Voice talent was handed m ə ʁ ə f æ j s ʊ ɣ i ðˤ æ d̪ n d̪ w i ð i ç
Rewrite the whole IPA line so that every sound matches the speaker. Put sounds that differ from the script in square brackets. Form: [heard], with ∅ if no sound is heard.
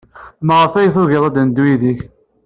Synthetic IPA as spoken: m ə ʁ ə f æ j [θ] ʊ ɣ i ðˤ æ d̪ n d̪ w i ð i ç